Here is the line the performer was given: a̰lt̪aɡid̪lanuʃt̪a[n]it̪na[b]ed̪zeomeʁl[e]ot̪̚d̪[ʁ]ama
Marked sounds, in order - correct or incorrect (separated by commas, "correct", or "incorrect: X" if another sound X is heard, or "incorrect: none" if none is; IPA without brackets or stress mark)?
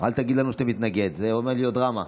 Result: incorrect: m, incorrect: ɡ, incorrect: i, correct